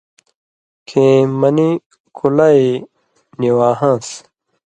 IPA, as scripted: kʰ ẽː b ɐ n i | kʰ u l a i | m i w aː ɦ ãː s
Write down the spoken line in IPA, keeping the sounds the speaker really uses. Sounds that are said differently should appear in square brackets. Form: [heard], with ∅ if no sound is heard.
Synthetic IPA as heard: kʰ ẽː [m] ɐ n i | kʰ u l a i | [n] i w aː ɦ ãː s